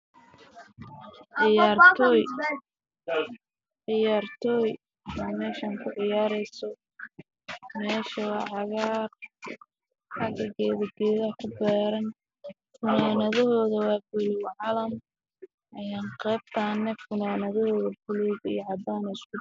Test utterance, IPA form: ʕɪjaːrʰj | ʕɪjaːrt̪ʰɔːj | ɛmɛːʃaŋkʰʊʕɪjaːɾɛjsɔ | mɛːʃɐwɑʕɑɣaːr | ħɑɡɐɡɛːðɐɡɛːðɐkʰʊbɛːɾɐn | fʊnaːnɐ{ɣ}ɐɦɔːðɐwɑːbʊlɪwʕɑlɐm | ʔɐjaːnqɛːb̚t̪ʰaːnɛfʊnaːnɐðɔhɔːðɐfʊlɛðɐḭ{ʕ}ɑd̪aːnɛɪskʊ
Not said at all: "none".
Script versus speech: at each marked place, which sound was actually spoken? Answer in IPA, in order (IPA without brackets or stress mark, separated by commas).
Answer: ð, ʕ